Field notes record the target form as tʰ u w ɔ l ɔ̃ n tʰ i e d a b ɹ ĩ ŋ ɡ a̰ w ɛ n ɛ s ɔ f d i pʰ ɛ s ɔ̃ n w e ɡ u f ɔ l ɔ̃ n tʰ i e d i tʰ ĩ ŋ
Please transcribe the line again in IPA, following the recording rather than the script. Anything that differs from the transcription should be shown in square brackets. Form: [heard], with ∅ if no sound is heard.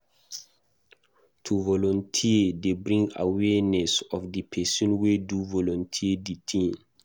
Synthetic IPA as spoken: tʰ u [v] ɔ l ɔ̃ n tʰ i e d [e] b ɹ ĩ ŋ ɡ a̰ w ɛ n ɛ s ɔ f d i pʰ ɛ s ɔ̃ n w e [d] u [v] ɔ l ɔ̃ n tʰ i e d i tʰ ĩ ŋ